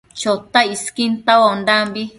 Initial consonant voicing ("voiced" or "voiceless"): voiceless